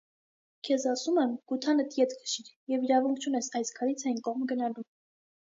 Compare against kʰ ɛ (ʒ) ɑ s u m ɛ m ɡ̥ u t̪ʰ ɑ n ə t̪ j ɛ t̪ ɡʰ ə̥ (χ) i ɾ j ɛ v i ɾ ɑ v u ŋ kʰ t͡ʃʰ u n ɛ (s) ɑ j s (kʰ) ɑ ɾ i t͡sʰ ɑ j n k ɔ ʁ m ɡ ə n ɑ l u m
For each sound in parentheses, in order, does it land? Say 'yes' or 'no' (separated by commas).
no, no, yes, yes